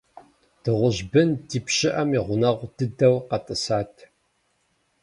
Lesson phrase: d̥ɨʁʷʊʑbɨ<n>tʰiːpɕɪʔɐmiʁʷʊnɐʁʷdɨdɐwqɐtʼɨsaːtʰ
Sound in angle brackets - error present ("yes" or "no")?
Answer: no